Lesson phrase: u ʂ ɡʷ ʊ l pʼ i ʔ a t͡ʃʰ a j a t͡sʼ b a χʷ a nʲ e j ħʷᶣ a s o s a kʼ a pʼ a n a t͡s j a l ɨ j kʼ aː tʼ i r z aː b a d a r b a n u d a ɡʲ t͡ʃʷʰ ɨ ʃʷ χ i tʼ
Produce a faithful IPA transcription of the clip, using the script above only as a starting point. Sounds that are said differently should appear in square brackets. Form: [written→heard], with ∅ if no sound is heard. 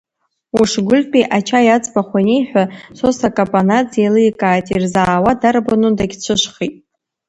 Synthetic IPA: u ʂ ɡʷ ʊ l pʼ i ʔ a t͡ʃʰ a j a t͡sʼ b a χʷ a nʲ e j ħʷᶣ a s o s a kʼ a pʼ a n a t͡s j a l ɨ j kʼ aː tʼ i r z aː [b→w] a d a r b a n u d a ɡʲ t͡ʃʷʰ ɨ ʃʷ χ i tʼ